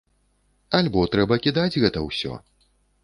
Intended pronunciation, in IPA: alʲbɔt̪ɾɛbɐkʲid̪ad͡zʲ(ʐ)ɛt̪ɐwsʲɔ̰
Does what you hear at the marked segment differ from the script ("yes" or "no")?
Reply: yes